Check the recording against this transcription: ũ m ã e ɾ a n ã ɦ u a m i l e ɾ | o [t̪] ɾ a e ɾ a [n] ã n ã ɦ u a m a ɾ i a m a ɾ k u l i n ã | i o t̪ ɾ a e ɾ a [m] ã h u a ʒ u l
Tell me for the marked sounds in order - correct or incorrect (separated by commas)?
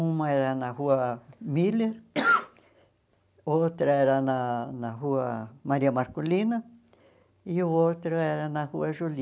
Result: correct, correct, incorrect